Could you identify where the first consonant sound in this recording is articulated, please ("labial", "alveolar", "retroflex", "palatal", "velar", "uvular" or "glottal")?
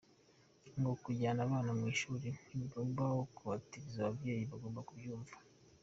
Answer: velar